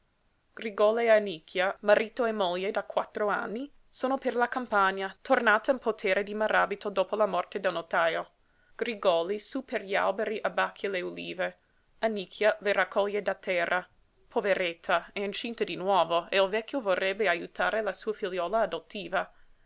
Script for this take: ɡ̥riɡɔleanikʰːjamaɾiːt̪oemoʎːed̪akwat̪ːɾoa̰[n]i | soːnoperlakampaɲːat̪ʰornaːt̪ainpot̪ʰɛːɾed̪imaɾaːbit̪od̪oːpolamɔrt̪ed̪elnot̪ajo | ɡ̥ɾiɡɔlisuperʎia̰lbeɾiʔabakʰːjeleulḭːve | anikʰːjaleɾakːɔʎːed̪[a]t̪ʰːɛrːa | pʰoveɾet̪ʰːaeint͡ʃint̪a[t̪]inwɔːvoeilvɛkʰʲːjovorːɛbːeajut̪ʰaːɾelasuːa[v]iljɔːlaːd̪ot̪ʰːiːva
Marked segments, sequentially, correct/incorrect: incorrect, correct, incorrect, incorrect

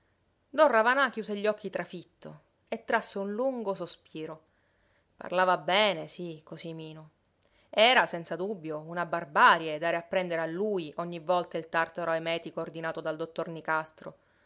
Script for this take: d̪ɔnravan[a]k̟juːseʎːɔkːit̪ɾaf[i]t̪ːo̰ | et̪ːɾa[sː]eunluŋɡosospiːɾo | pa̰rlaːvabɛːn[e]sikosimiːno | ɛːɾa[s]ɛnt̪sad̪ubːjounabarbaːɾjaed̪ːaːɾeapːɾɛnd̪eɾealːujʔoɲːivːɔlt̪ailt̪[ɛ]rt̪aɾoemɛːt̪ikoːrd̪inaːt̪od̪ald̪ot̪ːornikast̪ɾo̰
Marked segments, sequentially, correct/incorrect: correct, correct, correct, correct, correct, incorrect

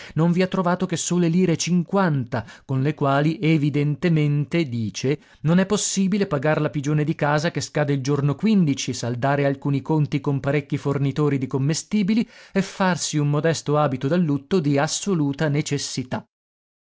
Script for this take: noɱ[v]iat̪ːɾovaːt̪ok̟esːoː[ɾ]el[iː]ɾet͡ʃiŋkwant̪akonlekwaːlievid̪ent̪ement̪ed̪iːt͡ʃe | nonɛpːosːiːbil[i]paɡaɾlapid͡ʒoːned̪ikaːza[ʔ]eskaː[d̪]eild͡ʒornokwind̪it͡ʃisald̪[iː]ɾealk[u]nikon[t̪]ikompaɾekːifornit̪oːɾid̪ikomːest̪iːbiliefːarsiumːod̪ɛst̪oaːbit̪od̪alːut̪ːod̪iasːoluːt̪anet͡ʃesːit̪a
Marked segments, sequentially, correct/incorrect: correct, incorrect, correct, incorrect, incorrect, correct, incorrect, incorrect, correct

